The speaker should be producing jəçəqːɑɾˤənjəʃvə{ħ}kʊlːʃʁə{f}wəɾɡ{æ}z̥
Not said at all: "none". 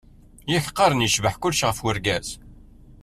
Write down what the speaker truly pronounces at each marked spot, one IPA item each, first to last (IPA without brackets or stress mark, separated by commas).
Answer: ħ, f, æ